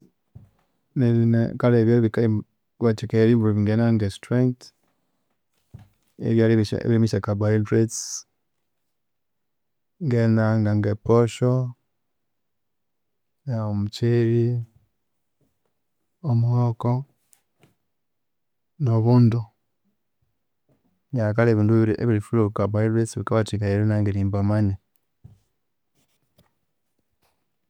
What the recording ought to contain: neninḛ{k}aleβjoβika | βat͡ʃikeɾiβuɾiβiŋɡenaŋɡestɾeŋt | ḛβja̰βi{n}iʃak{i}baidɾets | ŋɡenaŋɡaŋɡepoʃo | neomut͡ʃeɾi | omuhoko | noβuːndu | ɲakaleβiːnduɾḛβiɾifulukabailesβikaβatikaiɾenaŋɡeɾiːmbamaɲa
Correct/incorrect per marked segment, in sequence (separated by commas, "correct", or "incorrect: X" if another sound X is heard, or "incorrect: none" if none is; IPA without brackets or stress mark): correct, incorrect: m, incorrect: a